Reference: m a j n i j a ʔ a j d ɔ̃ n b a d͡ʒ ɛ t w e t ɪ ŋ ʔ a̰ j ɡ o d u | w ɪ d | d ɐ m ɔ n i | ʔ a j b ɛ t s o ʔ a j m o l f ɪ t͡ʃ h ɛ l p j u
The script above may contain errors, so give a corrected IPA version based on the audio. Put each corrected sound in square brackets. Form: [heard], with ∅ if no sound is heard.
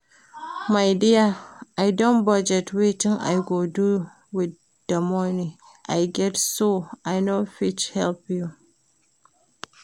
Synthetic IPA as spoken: m a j [d] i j a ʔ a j d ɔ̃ n b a d͡ʒ ɛ t w e t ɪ ŋ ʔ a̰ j ɡ o d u | w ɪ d | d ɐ m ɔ n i | ʔ a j [ɡ] ɛ t s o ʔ a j [n] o [∅] f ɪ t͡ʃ h ɛ l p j u